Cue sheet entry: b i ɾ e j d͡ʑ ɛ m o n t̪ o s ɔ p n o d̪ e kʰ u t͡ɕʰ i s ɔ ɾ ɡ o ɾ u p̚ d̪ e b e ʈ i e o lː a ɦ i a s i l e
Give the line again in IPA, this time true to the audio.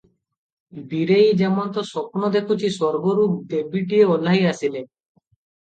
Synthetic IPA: b i ɾ e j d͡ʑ ɛ m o n t̪ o s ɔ p n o d̪ e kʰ u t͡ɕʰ i s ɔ ɾ ɡ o ɾ u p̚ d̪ e b i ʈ i e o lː a ɦ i a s i l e